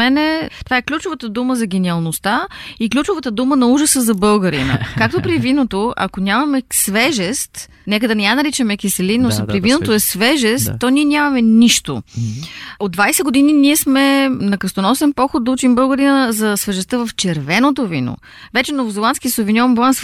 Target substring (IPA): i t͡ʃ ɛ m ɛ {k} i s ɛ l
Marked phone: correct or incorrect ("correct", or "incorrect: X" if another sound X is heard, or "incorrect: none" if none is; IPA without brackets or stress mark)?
correct